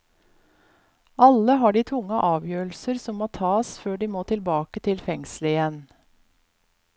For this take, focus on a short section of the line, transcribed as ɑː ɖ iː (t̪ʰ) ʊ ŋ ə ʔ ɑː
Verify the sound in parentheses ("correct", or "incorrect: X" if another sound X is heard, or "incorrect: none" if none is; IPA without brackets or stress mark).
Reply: correct